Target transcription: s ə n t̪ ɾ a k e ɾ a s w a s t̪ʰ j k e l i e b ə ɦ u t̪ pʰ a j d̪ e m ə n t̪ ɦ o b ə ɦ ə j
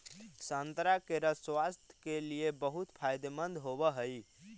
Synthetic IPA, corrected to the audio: s ə n t̪ ɾ a k e ɾ ə s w a s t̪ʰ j k e l i e b ə ɦ u t̪ pʰ a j d̪ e m ə n d̪ ɦ o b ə ɦ ə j